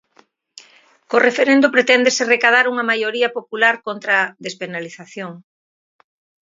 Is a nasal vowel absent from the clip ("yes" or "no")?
yes